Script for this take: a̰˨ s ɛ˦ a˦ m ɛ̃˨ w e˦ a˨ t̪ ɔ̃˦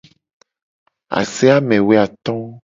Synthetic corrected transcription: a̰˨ s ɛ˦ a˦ m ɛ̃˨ w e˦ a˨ t̪ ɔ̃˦